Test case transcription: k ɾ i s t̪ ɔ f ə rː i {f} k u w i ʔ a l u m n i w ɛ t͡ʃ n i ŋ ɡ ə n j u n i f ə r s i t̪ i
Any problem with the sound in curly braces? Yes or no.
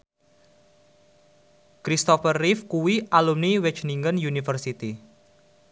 no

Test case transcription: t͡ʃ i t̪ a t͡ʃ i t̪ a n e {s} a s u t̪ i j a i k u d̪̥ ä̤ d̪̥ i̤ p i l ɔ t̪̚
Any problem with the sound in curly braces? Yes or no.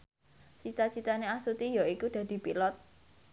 yes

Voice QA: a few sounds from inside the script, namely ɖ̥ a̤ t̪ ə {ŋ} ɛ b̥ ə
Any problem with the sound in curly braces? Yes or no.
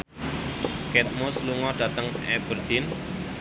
no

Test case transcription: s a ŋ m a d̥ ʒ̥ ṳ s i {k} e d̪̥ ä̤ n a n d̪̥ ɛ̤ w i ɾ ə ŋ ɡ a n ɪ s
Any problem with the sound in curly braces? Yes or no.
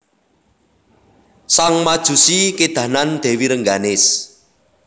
no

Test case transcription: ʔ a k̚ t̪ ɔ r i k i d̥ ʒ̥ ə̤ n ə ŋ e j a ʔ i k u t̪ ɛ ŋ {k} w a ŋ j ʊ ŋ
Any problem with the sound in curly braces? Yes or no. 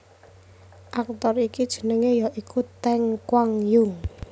no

